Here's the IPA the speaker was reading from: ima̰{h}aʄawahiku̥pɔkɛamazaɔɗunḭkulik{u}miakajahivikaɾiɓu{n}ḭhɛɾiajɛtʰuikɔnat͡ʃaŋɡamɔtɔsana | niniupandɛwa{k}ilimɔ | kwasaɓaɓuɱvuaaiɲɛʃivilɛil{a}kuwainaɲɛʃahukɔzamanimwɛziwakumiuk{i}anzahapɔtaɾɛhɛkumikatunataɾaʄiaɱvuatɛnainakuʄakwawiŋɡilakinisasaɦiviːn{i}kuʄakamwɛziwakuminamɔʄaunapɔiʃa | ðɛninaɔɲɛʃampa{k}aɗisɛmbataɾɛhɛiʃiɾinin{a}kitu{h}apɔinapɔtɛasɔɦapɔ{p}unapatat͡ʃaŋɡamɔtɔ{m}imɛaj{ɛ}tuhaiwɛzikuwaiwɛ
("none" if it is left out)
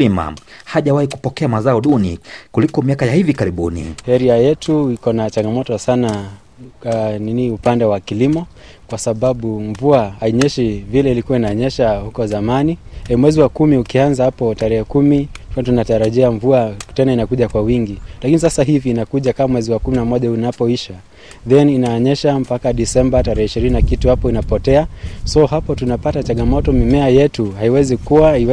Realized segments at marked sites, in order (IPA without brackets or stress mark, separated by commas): h, ɔ, n, k, i, i, a, k, a, h, t, m, ɛ